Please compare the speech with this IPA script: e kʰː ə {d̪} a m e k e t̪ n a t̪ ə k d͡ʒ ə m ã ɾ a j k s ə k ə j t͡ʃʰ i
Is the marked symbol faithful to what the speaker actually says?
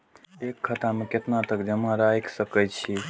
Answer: no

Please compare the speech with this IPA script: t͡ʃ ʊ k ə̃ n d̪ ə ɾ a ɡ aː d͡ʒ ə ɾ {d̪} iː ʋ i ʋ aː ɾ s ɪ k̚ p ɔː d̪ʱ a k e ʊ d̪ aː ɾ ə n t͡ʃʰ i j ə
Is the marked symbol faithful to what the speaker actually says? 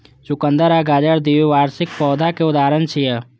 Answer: yes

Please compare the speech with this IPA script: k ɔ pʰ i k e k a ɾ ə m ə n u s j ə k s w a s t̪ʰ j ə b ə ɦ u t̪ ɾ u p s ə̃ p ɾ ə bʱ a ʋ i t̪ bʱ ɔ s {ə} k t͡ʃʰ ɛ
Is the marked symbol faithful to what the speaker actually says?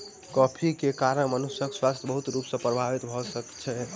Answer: yes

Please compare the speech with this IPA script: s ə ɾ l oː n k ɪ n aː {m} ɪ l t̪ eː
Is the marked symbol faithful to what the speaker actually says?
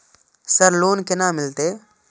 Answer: yes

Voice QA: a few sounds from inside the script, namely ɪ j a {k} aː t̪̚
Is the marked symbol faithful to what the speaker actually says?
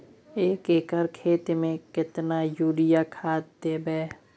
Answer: no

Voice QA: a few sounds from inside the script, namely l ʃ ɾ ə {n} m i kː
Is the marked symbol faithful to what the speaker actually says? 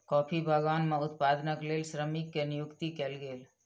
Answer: no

